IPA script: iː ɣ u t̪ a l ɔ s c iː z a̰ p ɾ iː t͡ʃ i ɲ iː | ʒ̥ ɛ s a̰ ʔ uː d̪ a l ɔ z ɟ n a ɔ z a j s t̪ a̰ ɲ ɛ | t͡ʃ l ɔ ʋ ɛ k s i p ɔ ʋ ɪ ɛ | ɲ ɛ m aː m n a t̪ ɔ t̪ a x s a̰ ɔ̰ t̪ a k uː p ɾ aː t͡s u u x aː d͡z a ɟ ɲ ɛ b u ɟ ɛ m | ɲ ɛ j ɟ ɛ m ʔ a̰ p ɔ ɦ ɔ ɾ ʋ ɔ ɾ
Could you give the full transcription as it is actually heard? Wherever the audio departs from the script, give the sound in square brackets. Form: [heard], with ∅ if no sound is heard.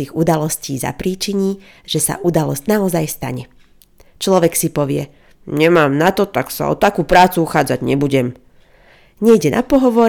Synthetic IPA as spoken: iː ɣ u [d̪] a l ɔ s c iː z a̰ p ɾ iː t͡ʃ i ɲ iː | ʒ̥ ɛ s a̰ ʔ [u] d̪ a l ɔ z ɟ n a ɔ z a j s t̪ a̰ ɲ ɛ | t͡ʃ l ɔ ʋ ɛ k s i p ɔ ʋ ɪ ɛ | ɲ ɛ m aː m n a t̪ ɔ t̪ a [k] s a̰ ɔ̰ t̪ a k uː p ɾ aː t͡s u u x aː d͡z a ɟ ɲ ɛ b u ɟ ɛ m | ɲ ɛ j ɟ ɛ [n] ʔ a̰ p ɔ ɦ ɔ [∅] ʋ ɔ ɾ